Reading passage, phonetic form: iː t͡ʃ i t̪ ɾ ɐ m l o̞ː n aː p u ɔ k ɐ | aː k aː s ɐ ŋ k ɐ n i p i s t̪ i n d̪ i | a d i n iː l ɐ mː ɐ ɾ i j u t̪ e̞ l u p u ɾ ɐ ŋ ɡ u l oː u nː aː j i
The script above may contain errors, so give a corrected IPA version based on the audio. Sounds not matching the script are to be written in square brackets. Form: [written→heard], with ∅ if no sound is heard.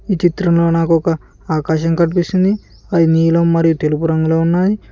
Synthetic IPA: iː t͡ʃ i t̪ ɾ ɐ m l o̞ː n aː [p→k] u ɔ k ɐ | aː k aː [s→ʃ] ɐ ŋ k ɐ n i p i s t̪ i n d̪ i | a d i n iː l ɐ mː ɐ ɾ i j u t̪ e̞ l u p u ɾ ɐ ŋ ɡ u l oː u nː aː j i